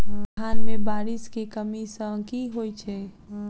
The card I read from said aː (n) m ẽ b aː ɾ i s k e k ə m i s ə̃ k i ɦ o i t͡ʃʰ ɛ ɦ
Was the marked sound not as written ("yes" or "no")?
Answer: no